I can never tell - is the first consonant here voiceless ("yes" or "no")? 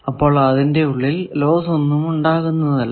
yes